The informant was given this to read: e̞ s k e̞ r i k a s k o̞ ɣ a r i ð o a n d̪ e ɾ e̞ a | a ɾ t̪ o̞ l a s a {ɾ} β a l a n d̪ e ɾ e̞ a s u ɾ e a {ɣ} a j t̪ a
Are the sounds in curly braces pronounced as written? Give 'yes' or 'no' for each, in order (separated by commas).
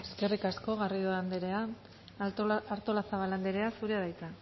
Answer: no, no